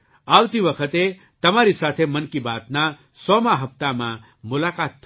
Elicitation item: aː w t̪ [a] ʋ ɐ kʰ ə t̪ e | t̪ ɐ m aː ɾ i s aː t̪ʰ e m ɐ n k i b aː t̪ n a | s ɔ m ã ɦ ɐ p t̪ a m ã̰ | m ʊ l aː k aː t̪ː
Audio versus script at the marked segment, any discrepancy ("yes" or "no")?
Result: yes